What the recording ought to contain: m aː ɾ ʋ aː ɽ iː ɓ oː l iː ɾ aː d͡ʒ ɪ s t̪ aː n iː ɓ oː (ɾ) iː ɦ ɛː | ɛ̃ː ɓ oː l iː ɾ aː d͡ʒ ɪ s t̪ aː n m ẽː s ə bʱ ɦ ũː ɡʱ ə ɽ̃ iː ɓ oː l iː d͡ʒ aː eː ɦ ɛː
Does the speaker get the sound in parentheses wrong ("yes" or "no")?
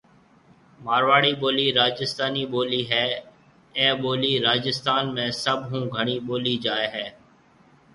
yes